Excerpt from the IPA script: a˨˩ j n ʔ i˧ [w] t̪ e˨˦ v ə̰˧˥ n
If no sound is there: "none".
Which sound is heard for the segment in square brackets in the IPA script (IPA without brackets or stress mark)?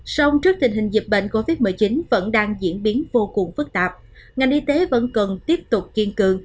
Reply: none